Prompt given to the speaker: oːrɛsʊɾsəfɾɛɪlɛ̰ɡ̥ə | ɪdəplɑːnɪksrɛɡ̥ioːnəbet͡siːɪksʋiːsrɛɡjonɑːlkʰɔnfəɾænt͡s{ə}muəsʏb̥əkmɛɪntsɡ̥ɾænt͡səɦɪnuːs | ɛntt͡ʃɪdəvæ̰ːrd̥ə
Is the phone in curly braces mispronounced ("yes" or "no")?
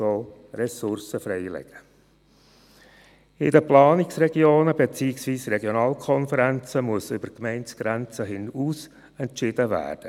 no